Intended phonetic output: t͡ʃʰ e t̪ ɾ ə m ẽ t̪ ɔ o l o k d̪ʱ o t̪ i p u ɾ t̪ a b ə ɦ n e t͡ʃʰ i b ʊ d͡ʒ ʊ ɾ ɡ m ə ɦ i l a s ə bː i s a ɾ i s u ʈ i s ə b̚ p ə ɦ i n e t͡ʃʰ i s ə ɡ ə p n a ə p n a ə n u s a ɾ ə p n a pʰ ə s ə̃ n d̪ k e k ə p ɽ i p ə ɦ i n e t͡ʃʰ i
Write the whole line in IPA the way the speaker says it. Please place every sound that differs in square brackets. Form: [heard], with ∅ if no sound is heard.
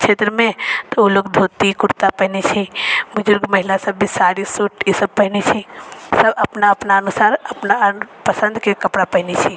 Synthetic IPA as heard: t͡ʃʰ e t̪ ɾ ə m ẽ t̪ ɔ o l o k d̪ʱ o t̪ i [k] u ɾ t̪ a [p] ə ɦ n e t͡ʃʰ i b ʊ d͡ʒ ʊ ɾ ɡ m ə ɦ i l a s ə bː i s a ɾ i s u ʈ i s ə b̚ p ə ɦ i n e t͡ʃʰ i s ə [b] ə p n a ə p n a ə n u s a ɾ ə p n a [p] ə s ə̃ n d̪ k e k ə p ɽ [a] p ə ɦ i n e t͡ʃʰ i

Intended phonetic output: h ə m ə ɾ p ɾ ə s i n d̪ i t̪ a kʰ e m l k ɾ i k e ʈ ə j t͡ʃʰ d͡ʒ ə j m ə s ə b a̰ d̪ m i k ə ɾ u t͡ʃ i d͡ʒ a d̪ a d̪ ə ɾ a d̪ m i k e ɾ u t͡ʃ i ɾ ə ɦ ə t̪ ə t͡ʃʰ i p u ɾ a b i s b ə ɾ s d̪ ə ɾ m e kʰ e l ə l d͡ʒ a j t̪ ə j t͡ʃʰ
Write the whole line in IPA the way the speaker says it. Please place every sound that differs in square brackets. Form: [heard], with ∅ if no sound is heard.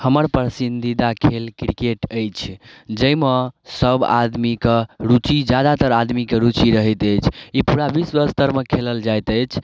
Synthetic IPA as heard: h ə m ə ɾ p ɾ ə s i n d̪ i [d̪] a kʰ e [∅] l k ɾ i k e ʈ ə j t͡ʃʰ d͡ʒ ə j m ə s ə b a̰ d̪ m i k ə ɾ u t͡ʃ i d͡ʒ a d̪ a [t̪] ə ɾ a d̪ m i k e ɾ u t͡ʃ i ɾ ə ɦ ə t̪ ə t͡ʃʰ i p u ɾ a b i s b ə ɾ s [t̪] ə ɾ m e kʰ e l ə l d͡ʒ a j t̪ ə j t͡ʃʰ

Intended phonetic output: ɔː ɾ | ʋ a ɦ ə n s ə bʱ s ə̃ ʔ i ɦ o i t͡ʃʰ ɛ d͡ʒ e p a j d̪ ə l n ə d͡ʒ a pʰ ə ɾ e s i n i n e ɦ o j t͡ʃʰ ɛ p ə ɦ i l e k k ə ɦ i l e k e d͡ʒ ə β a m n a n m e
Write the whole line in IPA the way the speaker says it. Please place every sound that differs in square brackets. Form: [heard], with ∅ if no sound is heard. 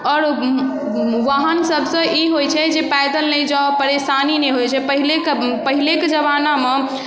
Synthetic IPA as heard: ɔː ɾ | ʋ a ɦ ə n s ə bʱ s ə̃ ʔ i ɦ o [j] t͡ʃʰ ɛ d͡ʒ e p a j d̪ ə l n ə d͡ʒ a [p] ə ɾ e s [a] n i n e ɦ o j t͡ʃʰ ɛ p ə ɦ i l e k [p] ə ɦ i l e k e d͡ʒ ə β a [∅] n a [∅] m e

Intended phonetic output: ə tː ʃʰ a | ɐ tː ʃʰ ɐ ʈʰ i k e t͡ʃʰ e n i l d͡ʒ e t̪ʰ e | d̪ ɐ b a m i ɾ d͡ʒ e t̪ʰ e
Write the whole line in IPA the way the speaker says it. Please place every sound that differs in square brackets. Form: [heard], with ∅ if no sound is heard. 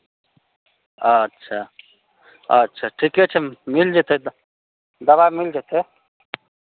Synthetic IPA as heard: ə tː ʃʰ a | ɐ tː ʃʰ [a] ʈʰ i k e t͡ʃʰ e [m] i l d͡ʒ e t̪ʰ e | d̪ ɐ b a m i [l] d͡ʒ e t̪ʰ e

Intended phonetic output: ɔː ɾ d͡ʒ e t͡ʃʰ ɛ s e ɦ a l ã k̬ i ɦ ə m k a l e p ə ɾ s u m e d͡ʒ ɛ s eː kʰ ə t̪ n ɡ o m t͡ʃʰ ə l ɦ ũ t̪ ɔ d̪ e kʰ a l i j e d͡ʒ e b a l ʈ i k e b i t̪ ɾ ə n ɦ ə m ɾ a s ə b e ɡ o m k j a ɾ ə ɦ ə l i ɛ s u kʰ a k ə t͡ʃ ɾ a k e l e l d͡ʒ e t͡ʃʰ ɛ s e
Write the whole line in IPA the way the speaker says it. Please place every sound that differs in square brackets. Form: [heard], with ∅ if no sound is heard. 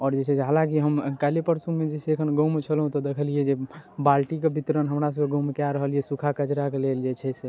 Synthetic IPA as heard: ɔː ɾ d͡ʒ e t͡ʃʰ ɛ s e ɦ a l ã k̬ i ɦ ə m k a l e p ə ɾ s u m e d͡ʒ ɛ s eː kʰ ə [∅] n ɡ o m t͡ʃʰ ə l ɦ ũ t̪ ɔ d̪ e kʰ [ə] l i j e d͡ʒ e b a l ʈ i k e b i t̪ ɾ ə n ɦ ə m ɾ a s ə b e ɡ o m k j a ɾ ə ɦ ə l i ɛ s u kʰ a k ə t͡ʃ ɾ a k e l e l d͡ʒ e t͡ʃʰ ɛ s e

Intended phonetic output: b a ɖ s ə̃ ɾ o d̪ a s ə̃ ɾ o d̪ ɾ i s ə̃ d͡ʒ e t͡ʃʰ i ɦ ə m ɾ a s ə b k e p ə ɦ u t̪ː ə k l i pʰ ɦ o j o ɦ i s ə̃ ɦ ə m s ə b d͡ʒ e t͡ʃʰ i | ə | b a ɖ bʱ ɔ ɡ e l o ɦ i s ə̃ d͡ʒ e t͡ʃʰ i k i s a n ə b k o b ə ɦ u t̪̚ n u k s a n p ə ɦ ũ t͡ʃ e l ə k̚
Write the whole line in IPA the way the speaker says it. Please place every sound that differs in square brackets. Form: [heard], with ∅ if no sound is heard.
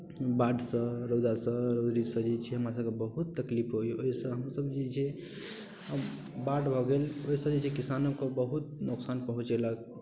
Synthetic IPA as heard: b a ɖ s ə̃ ɾ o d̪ a s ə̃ ɾ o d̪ ɾ i s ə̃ d͡ʒ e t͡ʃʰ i ɦ ə m ɾ a s ə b k e [b] ə ɦ u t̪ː ə k l i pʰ ɦ o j o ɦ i s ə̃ ɦ ə m s ə b d͡ʒ e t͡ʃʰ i | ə | b a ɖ bʱ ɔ ɡ e l o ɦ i s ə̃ d͡ʒ e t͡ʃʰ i k i s a n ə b k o b ə ɦ u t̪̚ n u k s a n p ə ɦ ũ t͡ʃ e l ə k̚

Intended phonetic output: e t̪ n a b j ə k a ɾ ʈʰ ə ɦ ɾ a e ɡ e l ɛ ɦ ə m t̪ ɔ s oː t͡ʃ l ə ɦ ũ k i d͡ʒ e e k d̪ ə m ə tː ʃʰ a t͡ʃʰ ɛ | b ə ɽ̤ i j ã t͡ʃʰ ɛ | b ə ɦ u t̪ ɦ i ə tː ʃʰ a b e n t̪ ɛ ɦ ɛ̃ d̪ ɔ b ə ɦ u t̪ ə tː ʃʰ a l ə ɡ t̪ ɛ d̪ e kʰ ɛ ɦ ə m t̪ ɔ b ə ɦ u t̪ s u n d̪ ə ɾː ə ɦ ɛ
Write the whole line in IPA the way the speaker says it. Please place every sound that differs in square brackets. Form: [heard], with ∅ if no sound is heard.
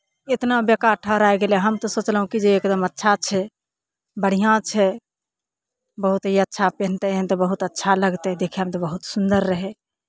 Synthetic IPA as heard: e t̪ n a b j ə k a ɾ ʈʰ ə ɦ ɾ a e ɡ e l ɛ ɦ ə m t̪ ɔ s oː t͡ʃ l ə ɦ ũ k i d͡ʒ e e k d̪ ə m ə tː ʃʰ a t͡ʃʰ ɛ | b ə ɽ̤ i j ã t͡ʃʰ ɛ | b ə ɦ u t̪ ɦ i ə tː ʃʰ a [p] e n t̪ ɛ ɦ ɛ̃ [t̪] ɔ b ə ɦ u t̪ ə tː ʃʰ a l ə ɡ t̪ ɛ d̪ e kʰ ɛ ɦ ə m t̪ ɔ b ə ɦ u t̪ s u n d̪ ə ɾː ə ɦ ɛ

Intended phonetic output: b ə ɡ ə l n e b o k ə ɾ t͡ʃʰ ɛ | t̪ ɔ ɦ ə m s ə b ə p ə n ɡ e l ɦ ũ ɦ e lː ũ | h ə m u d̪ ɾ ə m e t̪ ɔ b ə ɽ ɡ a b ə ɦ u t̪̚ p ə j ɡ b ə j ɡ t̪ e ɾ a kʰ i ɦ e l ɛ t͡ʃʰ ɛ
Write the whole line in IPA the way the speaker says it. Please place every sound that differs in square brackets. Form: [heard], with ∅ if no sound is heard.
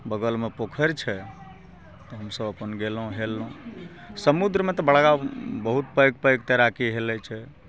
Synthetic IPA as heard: b ə ɡ ə l [m] e [p] o [kʰ] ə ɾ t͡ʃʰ ɛ | t̪ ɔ ɦ ə m s ə b ə p ə n ɡ e l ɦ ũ ɦ e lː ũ | [s] ə m u d̪ ɾ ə m e t̪ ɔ b ə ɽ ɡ a b ə ɦ u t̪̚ p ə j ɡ [p] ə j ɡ t̪ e ɾ a [k] i ɦ e l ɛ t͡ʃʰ ɛ

